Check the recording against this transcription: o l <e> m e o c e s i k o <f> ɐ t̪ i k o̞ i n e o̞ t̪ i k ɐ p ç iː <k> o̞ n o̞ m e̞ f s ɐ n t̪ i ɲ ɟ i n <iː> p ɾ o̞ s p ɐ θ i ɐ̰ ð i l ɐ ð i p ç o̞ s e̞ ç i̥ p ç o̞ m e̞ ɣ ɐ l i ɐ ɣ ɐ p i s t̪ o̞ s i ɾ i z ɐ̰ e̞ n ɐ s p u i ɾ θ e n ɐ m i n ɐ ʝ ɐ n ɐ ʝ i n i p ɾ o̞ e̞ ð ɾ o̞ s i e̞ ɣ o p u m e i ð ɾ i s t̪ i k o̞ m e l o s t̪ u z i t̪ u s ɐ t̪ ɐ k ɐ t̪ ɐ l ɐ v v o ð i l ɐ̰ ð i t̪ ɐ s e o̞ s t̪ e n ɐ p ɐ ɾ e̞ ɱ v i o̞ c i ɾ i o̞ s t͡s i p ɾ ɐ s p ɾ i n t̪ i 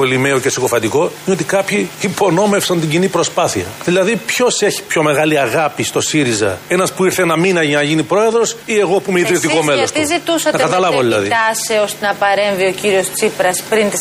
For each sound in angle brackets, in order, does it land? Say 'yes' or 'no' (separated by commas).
no, yes, no, no